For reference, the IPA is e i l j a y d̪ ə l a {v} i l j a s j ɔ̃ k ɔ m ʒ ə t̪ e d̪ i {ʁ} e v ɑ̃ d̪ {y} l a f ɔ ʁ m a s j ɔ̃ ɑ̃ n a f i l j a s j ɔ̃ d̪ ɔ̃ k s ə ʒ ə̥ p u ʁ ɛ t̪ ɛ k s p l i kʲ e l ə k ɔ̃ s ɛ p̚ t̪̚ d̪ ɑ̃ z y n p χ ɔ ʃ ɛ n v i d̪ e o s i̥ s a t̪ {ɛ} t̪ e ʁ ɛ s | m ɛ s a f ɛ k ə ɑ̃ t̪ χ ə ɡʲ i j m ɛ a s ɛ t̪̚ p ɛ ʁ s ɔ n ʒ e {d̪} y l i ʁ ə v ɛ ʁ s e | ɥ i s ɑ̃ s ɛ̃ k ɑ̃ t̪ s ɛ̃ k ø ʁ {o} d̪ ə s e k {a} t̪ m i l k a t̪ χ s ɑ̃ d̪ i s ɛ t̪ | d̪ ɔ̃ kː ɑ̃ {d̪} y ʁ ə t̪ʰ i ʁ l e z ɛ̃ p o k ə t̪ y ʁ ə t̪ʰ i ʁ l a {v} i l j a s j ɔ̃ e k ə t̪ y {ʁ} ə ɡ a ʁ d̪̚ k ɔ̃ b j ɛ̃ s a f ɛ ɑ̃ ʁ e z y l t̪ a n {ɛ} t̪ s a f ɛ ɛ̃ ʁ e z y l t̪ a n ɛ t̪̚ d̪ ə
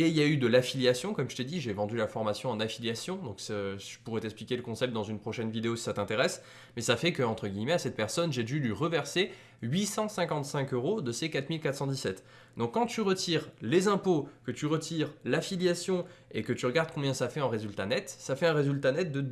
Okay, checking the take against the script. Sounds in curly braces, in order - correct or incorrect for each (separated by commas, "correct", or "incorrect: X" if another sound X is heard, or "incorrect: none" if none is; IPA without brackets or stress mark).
incorrect: f, incorrect: ʒ, correct, incorrect: ɛ̃, correct, correct, correct, incorrect: t̪, incorrect: f, correct, correct